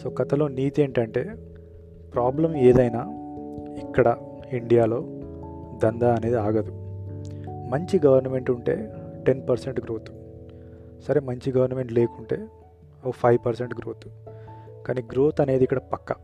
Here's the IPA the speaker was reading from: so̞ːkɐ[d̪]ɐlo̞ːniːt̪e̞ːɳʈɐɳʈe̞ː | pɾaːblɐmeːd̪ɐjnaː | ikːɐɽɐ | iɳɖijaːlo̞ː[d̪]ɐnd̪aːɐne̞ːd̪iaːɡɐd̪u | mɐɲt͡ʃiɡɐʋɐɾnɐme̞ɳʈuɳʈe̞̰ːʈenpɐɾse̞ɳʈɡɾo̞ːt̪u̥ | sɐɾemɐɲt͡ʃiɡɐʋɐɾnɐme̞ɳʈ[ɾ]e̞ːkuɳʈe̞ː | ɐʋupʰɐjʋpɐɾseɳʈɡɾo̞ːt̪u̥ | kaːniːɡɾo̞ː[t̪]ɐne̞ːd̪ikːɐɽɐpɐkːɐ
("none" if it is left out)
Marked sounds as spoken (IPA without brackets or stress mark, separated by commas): t̪, d̪, l, t̪